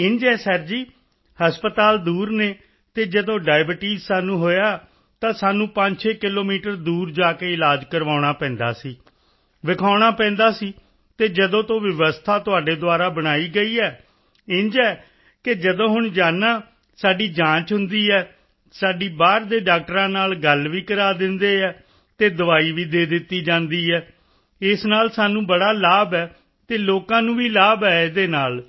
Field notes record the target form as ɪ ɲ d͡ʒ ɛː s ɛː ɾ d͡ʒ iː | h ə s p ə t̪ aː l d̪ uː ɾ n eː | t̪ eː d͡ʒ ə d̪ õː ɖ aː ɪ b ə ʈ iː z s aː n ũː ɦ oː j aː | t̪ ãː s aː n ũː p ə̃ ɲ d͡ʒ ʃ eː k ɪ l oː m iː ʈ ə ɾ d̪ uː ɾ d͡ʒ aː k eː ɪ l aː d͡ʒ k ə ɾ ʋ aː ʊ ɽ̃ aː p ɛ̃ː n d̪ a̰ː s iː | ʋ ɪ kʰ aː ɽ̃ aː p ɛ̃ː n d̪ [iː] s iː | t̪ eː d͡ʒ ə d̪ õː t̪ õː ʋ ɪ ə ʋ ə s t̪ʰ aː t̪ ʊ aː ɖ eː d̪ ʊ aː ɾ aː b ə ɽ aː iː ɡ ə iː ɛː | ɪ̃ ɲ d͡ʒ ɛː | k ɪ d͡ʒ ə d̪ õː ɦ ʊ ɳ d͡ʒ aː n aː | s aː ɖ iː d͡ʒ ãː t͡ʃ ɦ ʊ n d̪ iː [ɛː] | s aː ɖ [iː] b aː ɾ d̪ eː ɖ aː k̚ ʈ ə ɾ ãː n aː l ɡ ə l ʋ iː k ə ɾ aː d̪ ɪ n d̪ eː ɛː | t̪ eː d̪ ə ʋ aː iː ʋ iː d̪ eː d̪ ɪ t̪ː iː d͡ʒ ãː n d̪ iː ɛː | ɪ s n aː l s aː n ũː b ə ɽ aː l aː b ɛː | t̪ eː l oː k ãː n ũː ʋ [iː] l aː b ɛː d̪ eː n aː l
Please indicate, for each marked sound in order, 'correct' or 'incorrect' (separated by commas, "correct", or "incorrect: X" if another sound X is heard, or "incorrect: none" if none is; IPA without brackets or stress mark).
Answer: incorrect: aː, correct, correct, correct